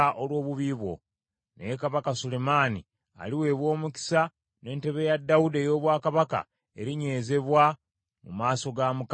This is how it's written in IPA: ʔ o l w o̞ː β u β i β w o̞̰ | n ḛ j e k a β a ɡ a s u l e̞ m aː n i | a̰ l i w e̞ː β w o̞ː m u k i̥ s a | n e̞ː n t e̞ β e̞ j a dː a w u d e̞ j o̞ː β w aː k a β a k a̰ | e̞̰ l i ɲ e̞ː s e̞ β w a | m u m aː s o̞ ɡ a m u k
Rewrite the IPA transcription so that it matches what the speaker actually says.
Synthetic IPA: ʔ o l w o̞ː β u β i β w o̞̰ | n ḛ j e k a β a k a s u l e̞ m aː n i | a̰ l i w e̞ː β w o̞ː m u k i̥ s a | n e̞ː n t e̞ β e̞ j a dː a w u d e̞ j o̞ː β w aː k a β a k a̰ | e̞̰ ɾ i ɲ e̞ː z e̞ β w a | m u m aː s o̞ ɡ a m u k